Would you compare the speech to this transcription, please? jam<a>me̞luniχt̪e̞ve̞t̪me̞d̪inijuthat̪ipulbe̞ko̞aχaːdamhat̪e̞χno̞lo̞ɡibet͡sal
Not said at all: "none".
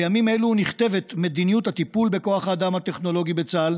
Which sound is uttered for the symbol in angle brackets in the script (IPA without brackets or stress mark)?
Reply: i